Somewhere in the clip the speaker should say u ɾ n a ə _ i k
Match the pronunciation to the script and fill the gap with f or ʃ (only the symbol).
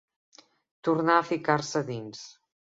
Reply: f